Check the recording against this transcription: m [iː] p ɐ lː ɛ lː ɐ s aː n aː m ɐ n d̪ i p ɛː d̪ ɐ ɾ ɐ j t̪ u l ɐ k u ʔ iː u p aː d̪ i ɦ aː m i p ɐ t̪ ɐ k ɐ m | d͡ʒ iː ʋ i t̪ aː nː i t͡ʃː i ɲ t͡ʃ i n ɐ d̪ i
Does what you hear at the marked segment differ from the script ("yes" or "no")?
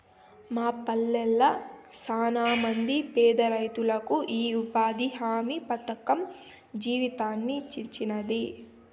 yes